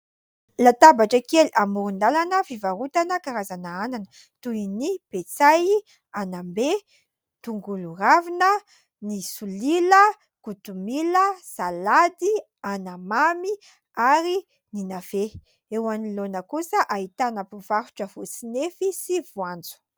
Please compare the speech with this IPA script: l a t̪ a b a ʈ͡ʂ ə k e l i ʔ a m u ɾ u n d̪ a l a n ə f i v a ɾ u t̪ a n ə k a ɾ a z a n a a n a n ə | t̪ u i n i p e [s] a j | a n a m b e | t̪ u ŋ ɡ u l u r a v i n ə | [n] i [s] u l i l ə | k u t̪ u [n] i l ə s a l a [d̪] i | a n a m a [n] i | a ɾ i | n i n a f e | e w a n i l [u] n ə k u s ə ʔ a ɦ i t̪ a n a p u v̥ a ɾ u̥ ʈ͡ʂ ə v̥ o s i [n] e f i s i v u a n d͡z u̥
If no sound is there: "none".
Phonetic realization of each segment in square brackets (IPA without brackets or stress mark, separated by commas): t͡s, n, s, m, d̪, m, o, n